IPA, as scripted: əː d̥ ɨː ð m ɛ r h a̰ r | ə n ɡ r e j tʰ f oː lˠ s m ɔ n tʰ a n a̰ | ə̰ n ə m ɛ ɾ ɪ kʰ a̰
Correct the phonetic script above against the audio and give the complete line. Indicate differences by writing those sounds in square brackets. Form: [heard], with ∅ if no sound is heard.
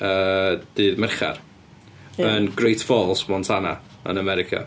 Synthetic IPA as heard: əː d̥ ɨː ð m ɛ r [χ] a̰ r | ə n ɡ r e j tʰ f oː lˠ s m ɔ n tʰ a n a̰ | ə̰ n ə m ɛ ɾ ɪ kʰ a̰